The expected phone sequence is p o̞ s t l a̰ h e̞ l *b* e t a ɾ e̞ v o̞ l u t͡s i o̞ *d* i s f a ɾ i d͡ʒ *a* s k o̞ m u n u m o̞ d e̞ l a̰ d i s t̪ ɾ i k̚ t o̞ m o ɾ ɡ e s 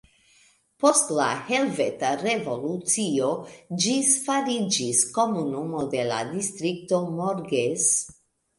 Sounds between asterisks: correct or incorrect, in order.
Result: incorrect: v, incorrect: d͡ʒ, incorrect: i

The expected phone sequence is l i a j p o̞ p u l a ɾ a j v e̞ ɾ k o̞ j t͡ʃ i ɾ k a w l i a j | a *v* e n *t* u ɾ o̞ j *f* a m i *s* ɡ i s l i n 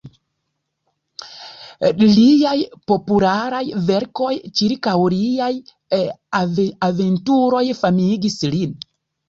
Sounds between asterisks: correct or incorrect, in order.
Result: correct, correct, correct, incorrect: none

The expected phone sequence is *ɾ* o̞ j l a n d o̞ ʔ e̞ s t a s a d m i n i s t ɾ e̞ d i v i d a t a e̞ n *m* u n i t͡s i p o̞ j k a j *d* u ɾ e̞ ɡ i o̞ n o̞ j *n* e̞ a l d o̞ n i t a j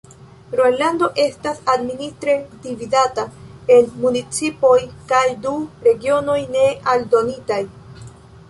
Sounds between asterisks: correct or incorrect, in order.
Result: correct, correct, correct, correct

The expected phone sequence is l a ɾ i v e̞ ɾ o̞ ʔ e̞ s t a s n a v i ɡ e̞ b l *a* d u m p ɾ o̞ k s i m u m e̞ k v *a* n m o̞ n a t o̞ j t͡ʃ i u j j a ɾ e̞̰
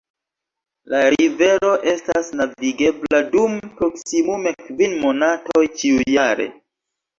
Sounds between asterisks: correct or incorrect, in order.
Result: correct, incorrect: i

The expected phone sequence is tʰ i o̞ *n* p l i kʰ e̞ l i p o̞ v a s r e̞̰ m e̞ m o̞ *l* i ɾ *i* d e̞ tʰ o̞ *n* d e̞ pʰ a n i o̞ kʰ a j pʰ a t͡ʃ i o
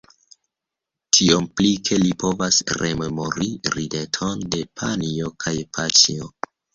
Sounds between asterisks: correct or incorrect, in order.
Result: incorrect: m, incorrect: ɾ, correct, correct

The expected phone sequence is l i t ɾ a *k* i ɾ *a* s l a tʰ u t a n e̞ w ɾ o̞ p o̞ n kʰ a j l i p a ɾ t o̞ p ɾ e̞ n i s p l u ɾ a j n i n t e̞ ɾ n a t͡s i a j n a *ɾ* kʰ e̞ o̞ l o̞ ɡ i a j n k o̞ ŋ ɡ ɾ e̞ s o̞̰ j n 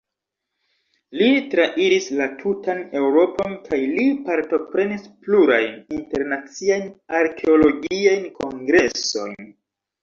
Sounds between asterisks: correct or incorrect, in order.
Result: incorrect: ʔ, incorrect: i, correct

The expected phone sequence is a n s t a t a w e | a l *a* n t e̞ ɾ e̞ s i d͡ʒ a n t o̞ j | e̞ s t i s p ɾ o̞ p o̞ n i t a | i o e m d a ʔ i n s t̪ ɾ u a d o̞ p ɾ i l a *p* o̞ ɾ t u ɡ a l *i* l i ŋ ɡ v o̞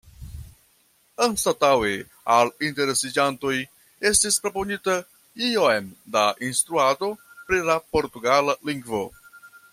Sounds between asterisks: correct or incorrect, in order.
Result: incorrect: i, correct, incorrect: a

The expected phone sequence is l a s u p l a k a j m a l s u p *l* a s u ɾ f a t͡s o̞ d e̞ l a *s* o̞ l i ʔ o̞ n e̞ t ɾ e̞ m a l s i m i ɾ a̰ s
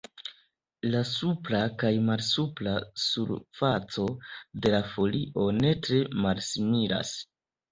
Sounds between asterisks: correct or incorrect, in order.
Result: correct, incorrect: f

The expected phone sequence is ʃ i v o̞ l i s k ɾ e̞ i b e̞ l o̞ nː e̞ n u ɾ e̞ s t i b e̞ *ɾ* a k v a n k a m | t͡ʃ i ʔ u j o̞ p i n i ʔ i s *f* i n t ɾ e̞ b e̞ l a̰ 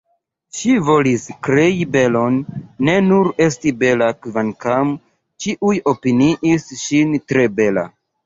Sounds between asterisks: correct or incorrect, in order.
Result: incorrect: l, incorrect: ʃ

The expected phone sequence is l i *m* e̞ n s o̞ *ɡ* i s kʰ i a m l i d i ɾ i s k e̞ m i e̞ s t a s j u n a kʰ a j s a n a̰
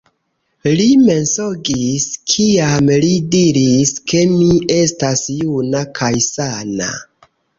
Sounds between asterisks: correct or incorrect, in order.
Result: correct, correct

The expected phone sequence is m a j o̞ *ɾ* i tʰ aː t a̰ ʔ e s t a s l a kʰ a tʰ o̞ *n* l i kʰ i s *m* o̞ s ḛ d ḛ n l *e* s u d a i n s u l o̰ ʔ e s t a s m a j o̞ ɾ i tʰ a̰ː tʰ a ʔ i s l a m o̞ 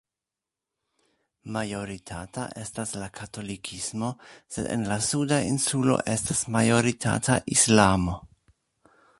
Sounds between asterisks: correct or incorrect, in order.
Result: correct, incorrect: none, correct, incorrect: a

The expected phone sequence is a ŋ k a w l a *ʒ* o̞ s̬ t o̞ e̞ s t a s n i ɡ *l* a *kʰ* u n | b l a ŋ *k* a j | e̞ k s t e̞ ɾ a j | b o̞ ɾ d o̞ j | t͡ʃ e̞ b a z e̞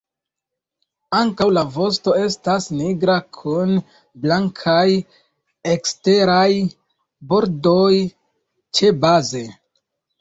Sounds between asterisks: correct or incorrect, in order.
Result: incorrect: v, incorrect: ɾ, correct, incorrect: kʰ

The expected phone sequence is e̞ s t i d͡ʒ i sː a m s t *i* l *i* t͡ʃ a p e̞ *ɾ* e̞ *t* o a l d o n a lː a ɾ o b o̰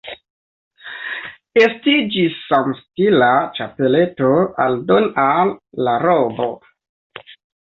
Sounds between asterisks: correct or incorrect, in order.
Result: correct, incorrect: a, incorrect: l, correct

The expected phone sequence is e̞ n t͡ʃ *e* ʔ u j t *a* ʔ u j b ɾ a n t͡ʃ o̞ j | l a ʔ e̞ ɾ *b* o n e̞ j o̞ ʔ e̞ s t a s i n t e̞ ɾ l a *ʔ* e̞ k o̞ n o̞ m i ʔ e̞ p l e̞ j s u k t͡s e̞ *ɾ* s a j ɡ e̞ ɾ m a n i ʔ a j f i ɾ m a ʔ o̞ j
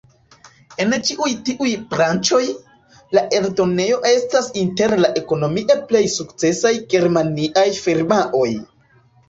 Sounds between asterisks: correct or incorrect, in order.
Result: incorrect: i, incorrect: i, incorrect: d, correct, incorrect: none

